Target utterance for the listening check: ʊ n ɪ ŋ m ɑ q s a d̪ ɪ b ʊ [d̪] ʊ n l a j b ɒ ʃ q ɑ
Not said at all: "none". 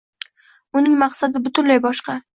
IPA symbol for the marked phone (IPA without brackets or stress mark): t̪